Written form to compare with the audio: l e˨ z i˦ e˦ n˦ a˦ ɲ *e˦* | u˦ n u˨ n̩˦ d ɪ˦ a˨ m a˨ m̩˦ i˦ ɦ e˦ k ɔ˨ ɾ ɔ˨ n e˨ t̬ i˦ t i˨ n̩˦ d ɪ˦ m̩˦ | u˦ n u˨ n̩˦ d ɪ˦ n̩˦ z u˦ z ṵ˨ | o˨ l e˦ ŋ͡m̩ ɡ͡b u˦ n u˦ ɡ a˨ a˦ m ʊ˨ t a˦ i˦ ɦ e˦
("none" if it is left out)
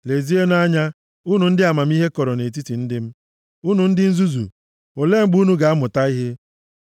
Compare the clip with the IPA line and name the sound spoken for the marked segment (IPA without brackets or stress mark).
a˦